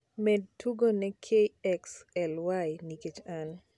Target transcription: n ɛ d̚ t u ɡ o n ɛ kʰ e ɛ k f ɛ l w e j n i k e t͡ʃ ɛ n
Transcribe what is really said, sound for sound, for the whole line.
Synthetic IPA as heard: m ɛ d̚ t u ɡ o n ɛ kʰ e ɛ k s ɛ l w a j n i k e t͡ʃ a n